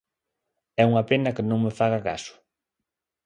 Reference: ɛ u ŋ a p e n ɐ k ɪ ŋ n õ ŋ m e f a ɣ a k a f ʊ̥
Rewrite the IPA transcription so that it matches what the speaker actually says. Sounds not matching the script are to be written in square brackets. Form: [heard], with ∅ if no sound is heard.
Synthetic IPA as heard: ɛ u ŋ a p e n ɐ k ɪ [∅] n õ ŋ m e f a ɣ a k a [s] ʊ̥